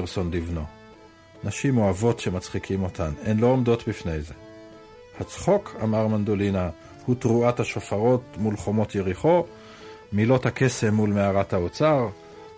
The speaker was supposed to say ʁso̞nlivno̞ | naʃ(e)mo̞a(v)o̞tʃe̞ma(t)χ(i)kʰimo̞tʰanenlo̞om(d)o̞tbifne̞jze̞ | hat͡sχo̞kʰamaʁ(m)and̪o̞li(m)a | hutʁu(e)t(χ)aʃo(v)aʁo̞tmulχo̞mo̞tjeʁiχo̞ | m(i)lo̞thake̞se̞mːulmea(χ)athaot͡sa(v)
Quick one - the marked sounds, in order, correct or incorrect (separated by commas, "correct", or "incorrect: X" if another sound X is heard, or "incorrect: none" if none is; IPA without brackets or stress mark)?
incorrect: i, correct, incorrect: t͡s, correct, correct, correct, incorrect: n, incorrect: a, incorrect: h, incorrect: f, correct, incorrect: ʁ, incorrect: ʁ